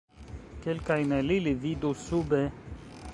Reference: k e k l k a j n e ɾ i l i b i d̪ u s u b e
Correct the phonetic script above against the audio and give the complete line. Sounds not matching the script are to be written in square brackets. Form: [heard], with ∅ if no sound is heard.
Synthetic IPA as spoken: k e [∅] l k a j n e [l] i l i [v] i d̪ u s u b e

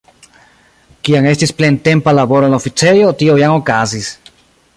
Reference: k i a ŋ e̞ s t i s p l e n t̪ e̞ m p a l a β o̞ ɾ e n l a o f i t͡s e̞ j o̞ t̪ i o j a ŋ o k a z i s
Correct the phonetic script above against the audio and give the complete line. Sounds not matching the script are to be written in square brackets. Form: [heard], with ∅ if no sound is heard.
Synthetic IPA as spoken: k i a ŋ e̞ s t i s p l e n t̪ e̞ m p a l a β o̞ ɾ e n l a o f i t͡s e̞ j o̞ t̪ i o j a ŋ o k a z i s

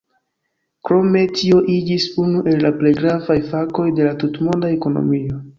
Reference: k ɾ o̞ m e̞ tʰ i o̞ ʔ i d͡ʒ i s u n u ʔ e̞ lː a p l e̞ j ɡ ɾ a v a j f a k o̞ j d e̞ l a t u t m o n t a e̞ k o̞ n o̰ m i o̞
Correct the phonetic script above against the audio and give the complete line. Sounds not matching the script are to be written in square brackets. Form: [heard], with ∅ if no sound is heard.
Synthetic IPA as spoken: k ɾ o̞ m e̞ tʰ i o̞ ʔ i d͡ʒ i s u n u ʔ e̞ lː a p l e̞ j ɡ ɾ a v a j f a k o̞ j d e̞ l a t u t m o n [d] a e̞ k o̞ n o̰ m i o̞

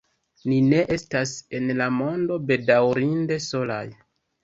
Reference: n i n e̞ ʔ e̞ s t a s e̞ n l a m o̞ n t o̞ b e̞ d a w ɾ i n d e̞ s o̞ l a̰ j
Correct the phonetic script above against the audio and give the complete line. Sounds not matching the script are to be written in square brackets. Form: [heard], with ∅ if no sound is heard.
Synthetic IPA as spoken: n i n e̞ ʔ e̞ s t a s e̞ n l a m o̞ n [d] o̞ b e̞ d a w ɾ i n d e̞ s o̞ l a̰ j

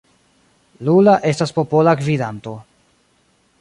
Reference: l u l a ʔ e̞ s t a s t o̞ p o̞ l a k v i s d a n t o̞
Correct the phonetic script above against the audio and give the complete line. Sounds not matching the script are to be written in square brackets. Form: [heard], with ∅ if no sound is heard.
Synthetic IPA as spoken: l u l a ʔ e̞ s t a s [p] o̞ p o̞ l a k v i [∅] d a n t o̞

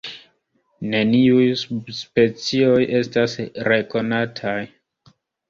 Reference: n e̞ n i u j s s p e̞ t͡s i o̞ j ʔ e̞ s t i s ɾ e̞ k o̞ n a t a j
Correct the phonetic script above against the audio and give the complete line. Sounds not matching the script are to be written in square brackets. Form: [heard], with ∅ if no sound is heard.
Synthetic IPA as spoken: n e̞ n i u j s s p e̞ t͡s i o̞ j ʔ e̞ s t [a] s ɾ e̞ k o̞ n a [tʰ] a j

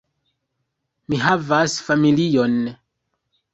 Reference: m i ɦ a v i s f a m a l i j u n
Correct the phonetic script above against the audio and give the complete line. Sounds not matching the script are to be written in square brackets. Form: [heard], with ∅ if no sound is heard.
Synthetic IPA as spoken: m i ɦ a v [a] s f a m [i] l i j [o] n

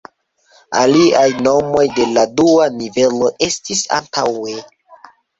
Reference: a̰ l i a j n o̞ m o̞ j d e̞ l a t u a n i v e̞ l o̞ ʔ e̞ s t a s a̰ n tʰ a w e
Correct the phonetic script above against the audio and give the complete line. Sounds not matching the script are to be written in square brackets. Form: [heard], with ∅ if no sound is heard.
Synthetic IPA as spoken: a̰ l i a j n o̞ m o̞ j d e̞ l a [d] u a n i v e̞ l o̞ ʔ e̞ s t [i] s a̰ n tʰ a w e

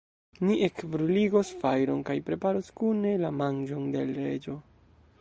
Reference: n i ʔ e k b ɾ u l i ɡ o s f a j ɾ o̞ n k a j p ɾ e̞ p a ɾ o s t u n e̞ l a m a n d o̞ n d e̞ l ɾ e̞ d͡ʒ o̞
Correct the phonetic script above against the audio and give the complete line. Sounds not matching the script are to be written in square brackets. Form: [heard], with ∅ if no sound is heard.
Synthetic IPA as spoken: n i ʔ e k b ɾ u l i ɡ o s f a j ɾ o̞ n k a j p ɾ e̞ p a ɾ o s [k] u n e̞ l a m a n [d͡ʒ] o̞ n d e̞ l ɾ e̞ d͡ʒ o̞

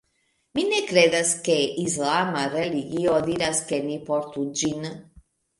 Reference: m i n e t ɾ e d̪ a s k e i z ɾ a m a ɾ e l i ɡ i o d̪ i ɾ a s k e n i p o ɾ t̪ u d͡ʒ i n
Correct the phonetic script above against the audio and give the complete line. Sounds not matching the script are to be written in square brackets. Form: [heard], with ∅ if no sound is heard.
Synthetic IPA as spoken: m i n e [k] ɾ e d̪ a s k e i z [l] a m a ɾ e l i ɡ i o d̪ i ɾ a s k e n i p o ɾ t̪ u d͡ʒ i n

